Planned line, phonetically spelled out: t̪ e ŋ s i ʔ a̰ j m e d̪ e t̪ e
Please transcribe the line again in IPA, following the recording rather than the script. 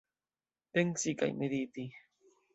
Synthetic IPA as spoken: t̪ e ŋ s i k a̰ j m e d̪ i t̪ i